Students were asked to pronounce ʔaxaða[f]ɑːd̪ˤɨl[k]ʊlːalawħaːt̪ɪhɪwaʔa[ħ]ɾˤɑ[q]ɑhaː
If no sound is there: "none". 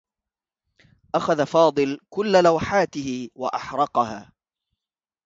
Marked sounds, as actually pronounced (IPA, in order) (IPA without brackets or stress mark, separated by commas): f, k, ħ, q